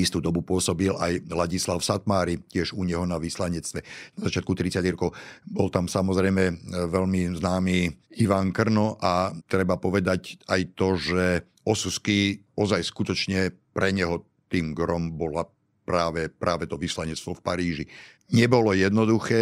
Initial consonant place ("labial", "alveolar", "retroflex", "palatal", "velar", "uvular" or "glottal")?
alveolar